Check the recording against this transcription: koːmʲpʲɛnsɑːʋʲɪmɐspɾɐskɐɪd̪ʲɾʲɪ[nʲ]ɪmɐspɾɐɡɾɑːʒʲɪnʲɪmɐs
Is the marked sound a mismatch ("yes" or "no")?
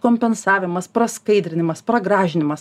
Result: no